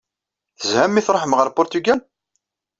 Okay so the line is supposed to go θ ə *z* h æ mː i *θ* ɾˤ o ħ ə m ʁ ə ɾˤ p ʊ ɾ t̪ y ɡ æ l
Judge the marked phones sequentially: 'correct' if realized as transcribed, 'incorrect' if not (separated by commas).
correct, correct